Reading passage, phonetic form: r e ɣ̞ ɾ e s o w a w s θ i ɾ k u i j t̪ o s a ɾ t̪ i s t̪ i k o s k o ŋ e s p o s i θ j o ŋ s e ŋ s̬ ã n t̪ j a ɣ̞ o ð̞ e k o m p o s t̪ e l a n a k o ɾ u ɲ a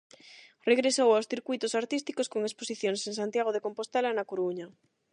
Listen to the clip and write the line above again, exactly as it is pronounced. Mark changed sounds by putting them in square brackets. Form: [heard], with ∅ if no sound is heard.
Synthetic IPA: r e ɣ̞ ɾ e s o w a w s θ i ɾ k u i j t̪ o s a ɾ t̪ i s t̪ i k o s k o ŋ e s p o s i θ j o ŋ s e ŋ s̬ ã n t̪ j a ɣ̞ o ð̞ e k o m p o s t̪ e l a n a k o ɾ u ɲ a